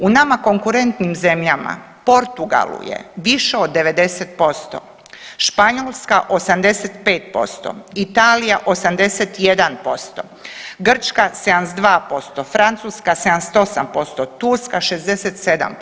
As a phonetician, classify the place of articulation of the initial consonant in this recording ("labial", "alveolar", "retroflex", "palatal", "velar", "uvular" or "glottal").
alveolar